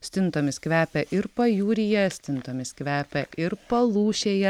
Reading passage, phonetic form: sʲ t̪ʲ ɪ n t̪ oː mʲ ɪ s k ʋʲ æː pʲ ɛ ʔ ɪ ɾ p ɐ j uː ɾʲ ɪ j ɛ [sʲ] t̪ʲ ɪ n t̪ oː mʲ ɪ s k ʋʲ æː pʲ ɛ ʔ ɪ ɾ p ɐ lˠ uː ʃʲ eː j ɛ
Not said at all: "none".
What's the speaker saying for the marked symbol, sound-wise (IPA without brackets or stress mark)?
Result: sʲ